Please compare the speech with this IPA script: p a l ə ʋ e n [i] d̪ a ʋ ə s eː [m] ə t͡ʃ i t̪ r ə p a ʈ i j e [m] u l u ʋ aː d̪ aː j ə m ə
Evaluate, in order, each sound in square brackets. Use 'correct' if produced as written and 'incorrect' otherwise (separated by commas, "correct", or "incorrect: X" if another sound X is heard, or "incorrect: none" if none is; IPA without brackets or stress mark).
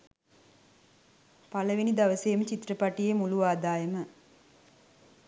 correct, correct, correct